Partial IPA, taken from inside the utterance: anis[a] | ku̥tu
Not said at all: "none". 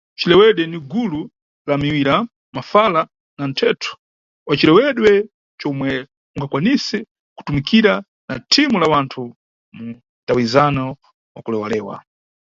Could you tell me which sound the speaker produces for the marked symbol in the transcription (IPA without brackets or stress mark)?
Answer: ɛ